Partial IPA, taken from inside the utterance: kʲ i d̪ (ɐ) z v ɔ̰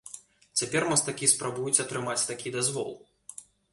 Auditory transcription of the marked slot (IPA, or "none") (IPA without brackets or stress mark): a